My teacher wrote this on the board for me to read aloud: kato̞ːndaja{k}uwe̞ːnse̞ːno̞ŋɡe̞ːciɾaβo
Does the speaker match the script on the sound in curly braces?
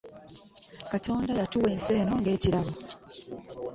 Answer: no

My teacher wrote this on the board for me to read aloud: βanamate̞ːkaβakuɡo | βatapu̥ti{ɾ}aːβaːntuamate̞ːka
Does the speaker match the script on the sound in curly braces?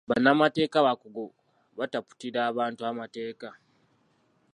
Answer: yes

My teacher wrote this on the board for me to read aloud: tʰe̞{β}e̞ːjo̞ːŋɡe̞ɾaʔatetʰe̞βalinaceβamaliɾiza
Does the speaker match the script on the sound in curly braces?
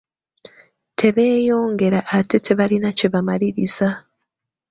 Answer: yes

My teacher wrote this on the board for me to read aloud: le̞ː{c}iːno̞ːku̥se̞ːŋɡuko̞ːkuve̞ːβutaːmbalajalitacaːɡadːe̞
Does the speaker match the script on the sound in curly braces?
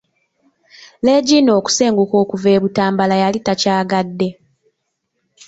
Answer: no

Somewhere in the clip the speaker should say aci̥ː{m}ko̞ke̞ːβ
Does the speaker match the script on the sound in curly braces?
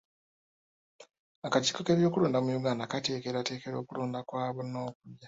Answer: no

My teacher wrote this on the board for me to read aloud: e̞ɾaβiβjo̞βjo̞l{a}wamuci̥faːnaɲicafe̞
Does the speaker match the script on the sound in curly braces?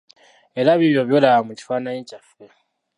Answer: yes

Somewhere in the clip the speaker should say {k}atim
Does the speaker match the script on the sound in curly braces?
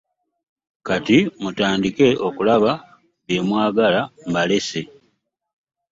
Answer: yes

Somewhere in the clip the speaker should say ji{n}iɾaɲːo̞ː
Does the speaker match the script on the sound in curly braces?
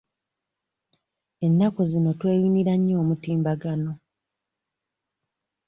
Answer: yes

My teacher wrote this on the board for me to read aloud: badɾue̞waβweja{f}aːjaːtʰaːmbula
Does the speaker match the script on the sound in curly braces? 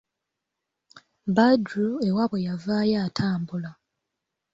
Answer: no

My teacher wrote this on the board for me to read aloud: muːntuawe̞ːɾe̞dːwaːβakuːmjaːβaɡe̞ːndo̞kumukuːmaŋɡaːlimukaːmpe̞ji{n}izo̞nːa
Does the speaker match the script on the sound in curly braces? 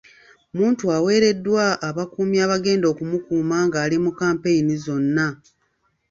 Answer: yes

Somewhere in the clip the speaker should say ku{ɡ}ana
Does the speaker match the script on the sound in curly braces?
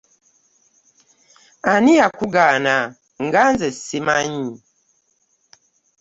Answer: yes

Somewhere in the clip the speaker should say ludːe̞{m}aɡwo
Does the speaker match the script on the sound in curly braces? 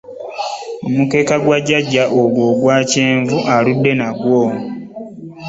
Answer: no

